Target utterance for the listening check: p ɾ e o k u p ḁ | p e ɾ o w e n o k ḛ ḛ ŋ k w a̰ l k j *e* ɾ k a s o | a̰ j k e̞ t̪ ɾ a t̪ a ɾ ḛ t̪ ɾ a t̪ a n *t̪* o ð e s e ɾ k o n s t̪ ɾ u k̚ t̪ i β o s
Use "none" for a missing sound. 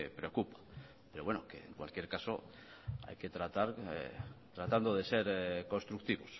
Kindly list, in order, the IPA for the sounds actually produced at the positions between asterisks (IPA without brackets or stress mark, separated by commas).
e, d̪